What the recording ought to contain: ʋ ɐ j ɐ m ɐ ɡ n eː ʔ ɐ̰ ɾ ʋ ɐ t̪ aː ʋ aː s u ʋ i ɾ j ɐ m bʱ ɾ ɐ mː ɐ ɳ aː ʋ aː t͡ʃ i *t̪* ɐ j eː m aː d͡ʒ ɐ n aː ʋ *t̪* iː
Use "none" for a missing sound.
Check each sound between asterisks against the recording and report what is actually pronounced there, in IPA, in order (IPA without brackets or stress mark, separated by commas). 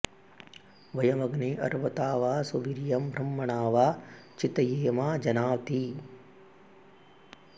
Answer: t̪, t̪